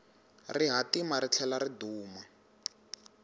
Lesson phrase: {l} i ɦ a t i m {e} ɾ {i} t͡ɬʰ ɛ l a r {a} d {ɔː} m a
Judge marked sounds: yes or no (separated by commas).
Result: no, no, yes, no, no